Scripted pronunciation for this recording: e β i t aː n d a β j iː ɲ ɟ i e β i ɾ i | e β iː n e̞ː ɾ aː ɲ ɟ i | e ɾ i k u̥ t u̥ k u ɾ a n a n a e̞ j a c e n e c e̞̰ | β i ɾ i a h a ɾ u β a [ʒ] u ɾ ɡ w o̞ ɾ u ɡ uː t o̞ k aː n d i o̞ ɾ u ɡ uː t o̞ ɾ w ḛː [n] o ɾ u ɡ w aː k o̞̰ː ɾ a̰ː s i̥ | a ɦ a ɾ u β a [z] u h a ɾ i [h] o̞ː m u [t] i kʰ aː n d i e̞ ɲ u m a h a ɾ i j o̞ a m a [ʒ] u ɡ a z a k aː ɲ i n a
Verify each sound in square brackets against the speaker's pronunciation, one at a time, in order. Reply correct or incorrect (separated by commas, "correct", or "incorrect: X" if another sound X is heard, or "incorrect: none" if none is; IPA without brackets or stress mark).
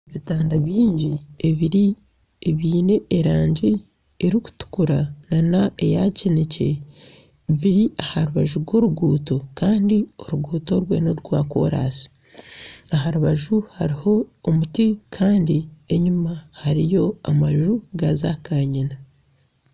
correct, correct, incorrect: ʒ, correct, correct, correct